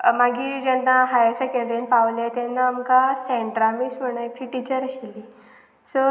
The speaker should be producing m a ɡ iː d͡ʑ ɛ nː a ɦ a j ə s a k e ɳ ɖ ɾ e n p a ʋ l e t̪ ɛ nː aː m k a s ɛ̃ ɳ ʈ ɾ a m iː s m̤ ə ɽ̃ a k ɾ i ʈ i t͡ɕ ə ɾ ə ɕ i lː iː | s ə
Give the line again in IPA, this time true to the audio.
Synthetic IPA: m a ɡ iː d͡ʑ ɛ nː a ɦ a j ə s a k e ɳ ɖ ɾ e n p a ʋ l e t̪ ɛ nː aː m k a s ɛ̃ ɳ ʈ ɾ a m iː s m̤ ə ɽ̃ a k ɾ i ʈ i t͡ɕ ə ɾ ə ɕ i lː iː | s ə